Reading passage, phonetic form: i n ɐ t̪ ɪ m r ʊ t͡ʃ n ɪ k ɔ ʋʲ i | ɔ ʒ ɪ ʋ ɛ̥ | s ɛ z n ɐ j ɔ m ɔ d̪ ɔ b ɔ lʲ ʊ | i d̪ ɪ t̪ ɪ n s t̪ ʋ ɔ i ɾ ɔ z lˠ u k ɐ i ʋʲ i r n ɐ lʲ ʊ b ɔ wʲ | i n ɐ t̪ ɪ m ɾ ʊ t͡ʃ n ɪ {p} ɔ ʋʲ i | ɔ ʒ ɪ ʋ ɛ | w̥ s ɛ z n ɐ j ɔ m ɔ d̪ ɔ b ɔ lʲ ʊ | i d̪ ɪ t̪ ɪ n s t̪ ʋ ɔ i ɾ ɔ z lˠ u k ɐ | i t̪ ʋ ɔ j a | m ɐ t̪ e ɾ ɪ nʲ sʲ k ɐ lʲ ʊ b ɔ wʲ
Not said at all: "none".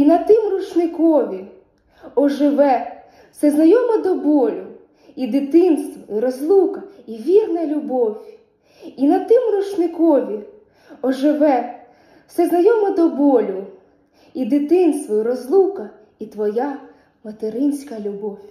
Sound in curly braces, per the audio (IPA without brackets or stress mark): k